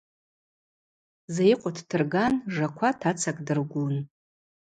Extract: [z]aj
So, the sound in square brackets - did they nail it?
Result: yes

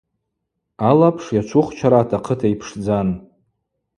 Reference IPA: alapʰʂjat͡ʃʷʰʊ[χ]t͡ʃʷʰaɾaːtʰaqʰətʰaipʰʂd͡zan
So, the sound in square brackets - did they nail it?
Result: yes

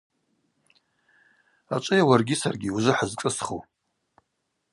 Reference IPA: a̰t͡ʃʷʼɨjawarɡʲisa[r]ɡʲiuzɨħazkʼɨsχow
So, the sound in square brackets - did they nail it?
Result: yes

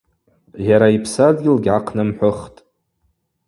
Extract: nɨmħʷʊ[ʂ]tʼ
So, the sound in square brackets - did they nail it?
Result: no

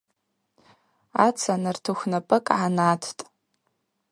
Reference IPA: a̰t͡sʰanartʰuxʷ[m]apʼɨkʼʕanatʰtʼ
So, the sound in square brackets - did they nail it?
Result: no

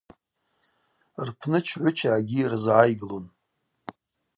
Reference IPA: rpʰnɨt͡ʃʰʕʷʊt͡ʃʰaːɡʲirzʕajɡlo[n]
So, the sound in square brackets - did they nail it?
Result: yes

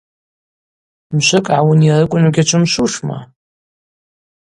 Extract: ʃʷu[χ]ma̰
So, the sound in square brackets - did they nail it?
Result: no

